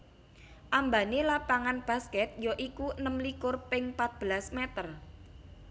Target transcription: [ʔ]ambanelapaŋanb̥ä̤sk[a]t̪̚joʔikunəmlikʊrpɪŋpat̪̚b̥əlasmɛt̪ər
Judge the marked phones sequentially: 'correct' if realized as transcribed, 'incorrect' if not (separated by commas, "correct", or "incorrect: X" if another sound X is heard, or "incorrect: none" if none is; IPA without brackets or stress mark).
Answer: correct, incorrect: ɛ